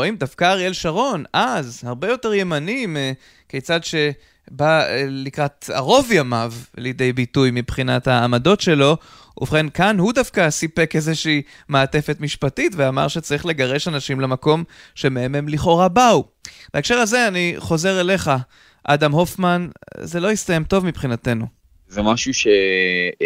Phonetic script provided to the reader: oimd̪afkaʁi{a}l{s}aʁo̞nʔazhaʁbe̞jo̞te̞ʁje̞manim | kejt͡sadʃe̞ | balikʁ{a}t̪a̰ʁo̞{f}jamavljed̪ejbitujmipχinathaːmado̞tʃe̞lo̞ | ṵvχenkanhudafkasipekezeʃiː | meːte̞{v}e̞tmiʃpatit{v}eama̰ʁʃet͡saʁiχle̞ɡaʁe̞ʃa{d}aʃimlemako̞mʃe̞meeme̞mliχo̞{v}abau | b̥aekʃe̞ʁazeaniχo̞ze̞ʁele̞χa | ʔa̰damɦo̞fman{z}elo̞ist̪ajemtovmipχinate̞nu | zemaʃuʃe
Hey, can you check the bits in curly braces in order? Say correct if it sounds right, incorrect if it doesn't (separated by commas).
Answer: incorrect, incorrect, correct, incorrect, incorrect, correct, incorrect, incorrect, correct